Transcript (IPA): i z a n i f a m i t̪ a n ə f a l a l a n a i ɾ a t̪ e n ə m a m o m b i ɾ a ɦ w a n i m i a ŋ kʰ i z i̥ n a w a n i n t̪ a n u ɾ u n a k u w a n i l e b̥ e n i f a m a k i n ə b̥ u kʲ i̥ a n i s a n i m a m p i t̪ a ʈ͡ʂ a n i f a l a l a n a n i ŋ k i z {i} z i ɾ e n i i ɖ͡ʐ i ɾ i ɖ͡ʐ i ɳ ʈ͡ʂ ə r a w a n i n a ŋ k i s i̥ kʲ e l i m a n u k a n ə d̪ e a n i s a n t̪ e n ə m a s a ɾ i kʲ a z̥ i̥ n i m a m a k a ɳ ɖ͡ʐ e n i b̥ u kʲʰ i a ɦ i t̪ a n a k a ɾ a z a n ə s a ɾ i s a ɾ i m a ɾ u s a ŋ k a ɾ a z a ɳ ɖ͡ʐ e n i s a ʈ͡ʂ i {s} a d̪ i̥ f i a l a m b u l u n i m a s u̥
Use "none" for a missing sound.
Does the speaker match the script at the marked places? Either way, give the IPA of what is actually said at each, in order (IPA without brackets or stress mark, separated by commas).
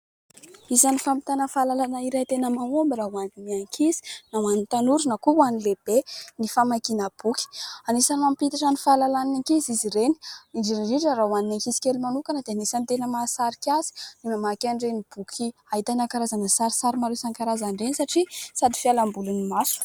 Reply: i, s